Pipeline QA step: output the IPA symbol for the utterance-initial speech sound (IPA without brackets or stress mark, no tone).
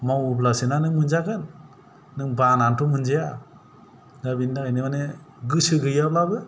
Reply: m